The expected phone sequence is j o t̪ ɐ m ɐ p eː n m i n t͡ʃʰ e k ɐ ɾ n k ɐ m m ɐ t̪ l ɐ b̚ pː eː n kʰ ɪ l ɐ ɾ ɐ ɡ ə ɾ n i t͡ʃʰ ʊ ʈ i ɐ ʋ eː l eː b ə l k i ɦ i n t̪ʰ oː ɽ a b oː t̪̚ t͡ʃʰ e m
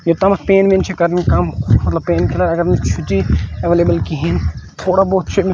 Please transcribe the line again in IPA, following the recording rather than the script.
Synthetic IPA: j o t̪ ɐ m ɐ p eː n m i n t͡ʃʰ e k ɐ ɾ n k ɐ m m ɐ t̪ l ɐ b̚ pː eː n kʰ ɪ l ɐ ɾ ɐ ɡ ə ɾ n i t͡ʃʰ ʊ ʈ i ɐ ʋ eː l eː b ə l k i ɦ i n t̪ʰ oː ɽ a b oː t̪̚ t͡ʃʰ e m